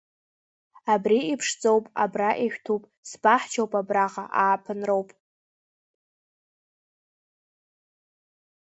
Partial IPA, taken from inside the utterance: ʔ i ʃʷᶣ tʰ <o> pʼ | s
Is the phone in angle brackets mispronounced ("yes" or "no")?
yes